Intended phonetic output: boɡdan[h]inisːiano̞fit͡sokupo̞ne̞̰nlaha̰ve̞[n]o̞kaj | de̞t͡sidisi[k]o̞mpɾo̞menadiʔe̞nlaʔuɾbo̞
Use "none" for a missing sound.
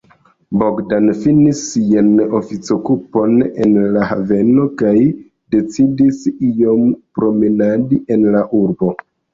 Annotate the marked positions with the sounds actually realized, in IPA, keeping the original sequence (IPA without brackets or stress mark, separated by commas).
f, n, none